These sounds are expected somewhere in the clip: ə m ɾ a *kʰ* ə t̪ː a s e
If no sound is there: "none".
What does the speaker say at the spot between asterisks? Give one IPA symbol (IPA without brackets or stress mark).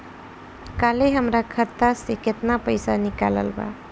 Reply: kʰ